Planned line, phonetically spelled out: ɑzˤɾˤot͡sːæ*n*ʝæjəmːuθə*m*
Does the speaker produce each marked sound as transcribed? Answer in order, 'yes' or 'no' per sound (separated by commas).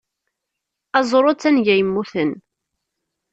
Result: yes, no